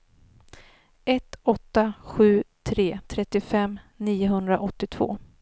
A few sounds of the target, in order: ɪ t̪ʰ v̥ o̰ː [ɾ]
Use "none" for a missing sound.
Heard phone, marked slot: none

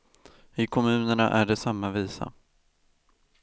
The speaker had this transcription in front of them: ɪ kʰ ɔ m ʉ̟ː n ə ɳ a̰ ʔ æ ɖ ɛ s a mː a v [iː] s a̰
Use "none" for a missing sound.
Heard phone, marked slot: iː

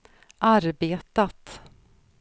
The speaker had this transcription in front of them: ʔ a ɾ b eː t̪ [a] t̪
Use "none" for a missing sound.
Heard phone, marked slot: a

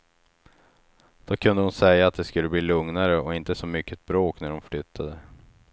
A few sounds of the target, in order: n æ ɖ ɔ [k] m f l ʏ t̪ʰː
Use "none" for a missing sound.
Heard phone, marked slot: none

